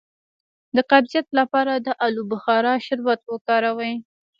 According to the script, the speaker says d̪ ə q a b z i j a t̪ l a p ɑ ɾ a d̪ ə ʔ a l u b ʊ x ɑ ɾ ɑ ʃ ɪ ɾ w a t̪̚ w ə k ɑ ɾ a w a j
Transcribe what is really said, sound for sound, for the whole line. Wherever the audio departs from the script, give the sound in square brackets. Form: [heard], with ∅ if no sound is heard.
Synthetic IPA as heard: d̪ ə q a b z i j a t̪ l a p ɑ ɾ a d̪ ə ʔ a l u b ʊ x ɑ ɾ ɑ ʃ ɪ ɾ w a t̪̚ w ə k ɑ ɾ a w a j